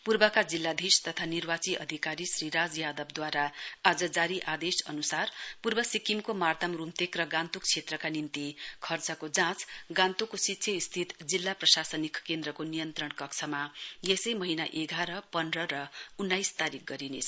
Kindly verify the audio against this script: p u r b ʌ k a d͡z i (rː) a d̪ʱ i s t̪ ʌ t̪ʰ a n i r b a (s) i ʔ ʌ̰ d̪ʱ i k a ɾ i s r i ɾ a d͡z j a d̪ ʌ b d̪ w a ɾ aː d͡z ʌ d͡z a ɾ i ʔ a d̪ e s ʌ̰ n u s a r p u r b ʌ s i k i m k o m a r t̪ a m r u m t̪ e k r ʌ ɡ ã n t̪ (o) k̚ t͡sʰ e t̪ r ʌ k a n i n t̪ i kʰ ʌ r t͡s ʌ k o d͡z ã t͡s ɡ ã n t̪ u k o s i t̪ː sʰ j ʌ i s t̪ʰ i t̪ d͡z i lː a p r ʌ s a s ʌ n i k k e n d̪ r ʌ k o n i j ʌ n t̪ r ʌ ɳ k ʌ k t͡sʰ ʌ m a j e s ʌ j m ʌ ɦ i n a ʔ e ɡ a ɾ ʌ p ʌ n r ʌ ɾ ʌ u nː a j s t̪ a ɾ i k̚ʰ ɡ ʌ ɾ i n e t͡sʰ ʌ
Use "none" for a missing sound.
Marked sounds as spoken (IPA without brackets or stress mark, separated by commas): lː, t͡s, u